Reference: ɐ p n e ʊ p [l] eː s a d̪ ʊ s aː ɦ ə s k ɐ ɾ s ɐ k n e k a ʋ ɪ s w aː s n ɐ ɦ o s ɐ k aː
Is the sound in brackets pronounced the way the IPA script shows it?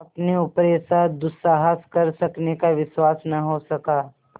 no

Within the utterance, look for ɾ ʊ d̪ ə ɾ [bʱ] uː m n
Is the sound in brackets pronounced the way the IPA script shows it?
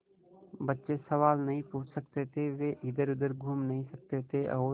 no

